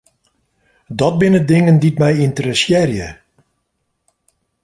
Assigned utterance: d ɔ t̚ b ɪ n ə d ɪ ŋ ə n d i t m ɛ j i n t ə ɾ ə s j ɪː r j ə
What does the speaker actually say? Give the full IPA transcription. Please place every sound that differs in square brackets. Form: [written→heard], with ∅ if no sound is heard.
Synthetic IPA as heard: d ɔ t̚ b ɪ n ə d ɪ ŋ ə n d i t m ɛ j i n t ə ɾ ə s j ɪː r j ə